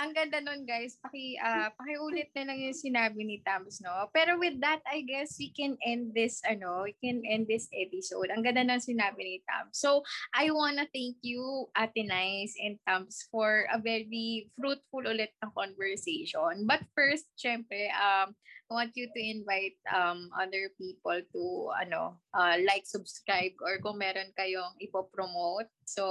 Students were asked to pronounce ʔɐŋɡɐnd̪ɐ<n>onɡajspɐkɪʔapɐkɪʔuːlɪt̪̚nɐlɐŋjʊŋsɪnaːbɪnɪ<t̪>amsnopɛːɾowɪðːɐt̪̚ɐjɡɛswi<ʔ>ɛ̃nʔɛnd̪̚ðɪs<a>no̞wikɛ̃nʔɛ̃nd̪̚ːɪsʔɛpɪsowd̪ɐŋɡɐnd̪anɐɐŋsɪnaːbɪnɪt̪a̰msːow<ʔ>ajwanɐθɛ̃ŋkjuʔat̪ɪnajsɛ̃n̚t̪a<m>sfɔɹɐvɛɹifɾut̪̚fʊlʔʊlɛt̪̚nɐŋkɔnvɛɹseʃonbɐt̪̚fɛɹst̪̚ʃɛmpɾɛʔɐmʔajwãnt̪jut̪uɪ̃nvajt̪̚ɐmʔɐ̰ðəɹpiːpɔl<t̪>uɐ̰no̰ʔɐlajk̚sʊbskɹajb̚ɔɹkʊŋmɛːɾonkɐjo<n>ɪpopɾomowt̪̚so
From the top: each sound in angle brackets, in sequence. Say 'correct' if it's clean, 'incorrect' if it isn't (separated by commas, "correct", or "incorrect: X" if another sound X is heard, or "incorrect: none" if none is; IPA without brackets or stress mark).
correct, correct, incorrect: k, incorrect: ɐ, correct, correct, correct, incorrect: ŋ